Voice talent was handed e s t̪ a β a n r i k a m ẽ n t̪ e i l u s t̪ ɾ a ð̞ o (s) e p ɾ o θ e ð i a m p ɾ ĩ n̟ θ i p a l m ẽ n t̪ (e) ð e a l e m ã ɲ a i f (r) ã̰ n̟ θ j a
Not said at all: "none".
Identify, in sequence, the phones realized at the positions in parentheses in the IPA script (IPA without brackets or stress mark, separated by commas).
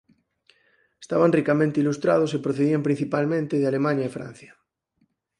s, e, ɾ